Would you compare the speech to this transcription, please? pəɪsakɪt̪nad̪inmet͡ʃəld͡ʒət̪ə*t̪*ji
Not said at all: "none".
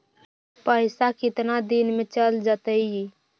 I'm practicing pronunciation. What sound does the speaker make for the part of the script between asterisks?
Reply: none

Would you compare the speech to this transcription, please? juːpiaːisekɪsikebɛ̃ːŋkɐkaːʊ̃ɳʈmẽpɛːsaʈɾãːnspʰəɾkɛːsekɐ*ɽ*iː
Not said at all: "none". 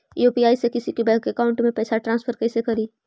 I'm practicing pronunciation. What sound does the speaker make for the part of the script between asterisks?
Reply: ɾ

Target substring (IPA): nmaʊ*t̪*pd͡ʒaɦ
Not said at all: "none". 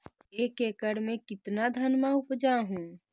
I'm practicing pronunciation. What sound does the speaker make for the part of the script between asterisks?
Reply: none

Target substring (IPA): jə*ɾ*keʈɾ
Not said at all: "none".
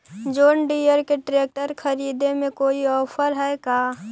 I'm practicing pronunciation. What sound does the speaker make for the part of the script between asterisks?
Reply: ɾ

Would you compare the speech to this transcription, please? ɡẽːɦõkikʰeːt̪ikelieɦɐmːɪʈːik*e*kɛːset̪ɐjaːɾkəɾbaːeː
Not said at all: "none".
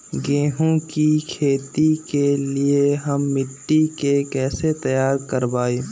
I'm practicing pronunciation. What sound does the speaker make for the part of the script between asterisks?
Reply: e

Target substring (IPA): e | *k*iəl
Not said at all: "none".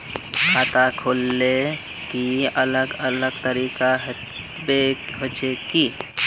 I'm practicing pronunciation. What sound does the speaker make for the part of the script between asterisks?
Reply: k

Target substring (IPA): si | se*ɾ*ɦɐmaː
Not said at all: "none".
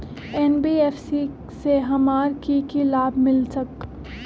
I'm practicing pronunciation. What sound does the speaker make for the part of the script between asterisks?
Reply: none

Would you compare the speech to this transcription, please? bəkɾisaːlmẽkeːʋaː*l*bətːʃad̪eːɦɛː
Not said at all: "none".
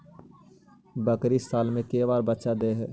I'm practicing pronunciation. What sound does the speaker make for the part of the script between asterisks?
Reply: ɾ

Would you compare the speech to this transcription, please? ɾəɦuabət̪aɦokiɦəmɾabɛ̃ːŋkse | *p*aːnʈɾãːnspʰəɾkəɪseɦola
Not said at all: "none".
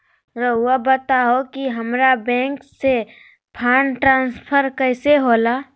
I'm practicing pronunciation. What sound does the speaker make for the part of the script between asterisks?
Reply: pʰ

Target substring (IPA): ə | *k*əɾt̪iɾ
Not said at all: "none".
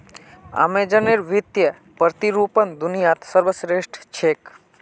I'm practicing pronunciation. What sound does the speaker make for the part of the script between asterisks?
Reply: p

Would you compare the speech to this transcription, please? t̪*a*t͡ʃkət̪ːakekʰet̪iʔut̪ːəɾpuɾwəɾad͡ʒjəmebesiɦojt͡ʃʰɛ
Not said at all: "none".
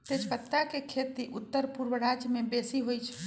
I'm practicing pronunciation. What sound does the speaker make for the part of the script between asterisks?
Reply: e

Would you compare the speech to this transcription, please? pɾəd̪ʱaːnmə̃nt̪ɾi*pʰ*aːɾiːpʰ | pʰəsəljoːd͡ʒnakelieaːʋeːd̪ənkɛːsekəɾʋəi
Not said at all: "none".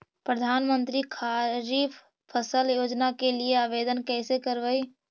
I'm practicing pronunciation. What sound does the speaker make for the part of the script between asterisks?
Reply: kʰ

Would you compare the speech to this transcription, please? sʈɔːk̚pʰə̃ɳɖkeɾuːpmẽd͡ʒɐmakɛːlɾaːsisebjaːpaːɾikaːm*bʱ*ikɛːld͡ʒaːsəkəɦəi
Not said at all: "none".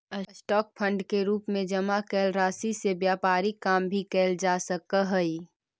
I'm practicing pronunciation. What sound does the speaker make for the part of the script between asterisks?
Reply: bʱ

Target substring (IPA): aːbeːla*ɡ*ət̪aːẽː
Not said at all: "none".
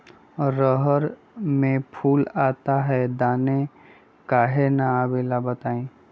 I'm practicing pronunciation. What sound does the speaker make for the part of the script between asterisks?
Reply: b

